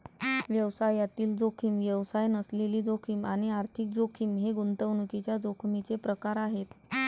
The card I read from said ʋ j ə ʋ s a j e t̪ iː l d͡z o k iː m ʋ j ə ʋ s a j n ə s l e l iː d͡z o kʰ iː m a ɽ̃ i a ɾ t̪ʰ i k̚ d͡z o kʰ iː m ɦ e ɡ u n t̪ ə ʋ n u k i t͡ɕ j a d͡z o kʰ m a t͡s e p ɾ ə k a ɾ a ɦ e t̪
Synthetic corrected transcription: ʋ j ə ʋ s a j a t̪ iː l d͡z o kʰ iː m ʋ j ə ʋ s a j n ə s l e l iː d͡z o kʰ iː m a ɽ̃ i a ɾ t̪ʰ i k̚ d͡z o kʰ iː m ɦ e ɡ u n t̪ ə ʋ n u k i t͡ɕ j a d͡z o kʰ m i t͡s e p ɾ ə k a ɾ a ɦ e t̪

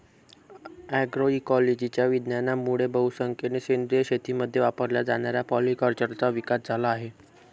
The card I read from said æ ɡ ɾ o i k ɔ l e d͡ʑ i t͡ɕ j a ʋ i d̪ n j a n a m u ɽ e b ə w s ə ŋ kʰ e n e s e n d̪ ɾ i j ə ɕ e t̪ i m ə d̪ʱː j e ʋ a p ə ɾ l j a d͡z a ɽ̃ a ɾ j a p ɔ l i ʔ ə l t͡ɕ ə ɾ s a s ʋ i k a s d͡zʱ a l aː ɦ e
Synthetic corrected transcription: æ ɡ ɾ o i k ɔ l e d͡ʑ i t͡ɕ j a ʋ i d̪ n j a n a m u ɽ e b ə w s ə ŋ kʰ e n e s e n d̪ ɾ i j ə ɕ e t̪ i m ə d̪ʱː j e ʋ a p ə ɾ l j a d͡z a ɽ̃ a ɾ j a p ɔ l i k ə ɾ t͡ɕ ə ɾ t͡s a ʋ i k a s d͡zʱ a l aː ɦ e

